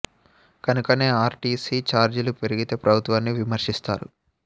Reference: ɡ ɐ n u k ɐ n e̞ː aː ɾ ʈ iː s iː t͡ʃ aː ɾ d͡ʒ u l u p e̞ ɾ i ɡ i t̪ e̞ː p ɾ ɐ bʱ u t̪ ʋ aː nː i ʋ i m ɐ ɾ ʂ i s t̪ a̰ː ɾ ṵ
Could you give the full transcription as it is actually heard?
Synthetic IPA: k ɐ n u k ɐ n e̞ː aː ɾ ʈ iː s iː t͡ʃ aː ɾ d͡ʒ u l u p e̞ ɾ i ɡ i t̪ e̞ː p ɾ ɐ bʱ u t̪ ʋ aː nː i ʋ i m ɐ ɾ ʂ i s t̪ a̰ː ɾ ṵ